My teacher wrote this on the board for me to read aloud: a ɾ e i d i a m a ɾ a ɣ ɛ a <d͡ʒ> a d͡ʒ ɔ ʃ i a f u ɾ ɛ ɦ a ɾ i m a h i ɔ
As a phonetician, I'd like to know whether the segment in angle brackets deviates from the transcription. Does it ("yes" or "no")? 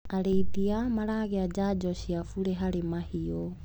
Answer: no